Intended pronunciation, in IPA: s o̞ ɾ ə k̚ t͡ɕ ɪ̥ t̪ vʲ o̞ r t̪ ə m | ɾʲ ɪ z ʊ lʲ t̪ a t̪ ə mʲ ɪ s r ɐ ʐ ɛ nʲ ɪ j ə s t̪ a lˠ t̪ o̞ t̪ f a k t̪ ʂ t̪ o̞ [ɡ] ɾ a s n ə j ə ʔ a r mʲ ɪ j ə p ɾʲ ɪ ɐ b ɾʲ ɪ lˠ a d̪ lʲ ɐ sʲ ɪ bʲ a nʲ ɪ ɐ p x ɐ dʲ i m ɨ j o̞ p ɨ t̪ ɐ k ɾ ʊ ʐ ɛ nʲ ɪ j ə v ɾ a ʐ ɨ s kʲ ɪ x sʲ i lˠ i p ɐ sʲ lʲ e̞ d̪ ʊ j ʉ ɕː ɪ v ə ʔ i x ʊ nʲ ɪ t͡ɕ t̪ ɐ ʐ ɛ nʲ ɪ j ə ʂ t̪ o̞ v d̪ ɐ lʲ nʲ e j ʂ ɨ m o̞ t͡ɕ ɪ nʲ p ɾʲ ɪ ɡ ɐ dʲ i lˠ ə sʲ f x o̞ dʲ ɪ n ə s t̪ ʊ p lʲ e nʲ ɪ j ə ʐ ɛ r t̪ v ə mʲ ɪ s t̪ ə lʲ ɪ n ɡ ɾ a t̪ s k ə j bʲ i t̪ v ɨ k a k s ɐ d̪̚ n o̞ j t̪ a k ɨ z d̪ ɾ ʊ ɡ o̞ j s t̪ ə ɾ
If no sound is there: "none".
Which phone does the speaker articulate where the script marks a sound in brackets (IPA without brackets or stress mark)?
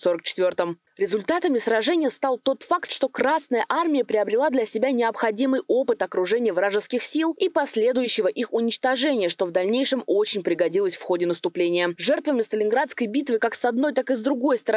k